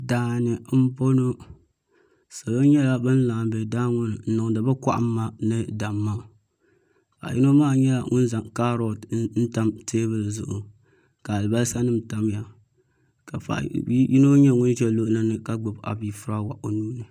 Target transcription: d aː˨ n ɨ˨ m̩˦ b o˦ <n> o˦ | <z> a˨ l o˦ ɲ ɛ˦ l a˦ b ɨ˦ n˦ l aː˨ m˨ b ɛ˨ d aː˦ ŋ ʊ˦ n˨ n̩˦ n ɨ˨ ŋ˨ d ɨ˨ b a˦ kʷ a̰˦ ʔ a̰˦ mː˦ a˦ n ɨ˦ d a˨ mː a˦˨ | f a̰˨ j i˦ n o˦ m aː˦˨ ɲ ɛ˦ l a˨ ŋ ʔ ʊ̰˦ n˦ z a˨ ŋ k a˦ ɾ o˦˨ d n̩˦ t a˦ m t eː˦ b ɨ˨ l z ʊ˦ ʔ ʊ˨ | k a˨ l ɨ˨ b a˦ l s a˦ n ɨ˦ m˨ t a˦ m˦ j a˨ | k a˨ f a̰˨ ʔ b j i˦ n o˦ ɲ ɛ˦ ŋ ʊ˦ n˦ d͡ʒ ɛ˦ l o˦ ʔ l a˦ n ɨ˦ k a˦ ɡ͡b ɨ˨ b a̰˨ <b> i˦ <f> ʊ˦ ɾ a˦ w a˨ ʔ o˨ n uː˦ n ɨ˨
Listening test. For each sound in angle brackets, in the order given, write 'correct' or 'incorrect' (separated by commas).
correct, incorrect, correct, correct